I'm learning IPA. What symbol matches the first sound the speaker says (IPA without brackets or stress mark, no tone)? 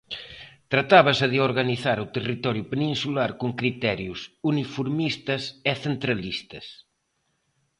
t̪